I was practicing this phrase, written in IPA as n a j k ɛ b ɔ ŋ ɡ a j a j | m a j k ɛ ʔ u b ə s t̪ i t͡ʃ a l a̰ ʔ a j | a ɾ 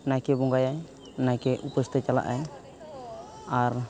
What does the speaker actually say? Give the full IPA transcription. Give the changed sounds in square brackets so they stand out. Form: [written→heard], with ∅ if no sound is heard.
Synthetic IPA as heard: n a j k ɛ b ɔ ŋ ɡ a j a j | [m→n] a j k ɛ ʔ u [b→p] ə s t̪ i t͡ʃ a l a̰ ʔ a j | a ɾ